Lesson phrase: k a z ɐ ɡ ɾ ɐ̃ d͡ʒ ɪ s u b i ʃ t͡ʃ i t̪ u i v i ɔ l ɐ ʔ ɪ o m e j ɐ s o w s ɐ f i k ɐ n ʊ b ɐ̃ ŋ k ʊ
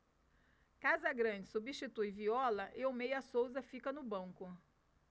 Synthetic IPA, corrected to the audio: k a z ɐ ɡ ɾ ɐ̃ d͡ʒ ɪ s u b i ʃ t͡ʃ i t̪ u j v i ɔ l ɐ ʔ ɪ o m e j ɐ s o w z ɐ f i k ɐ n ʊ b ɐ̃ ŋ k ʊ